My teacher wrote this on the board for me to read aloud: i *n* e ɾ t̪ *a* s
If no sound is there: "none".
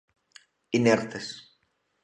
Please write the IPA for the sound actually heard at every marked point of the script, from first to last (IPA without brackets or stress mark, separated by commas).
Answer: n, e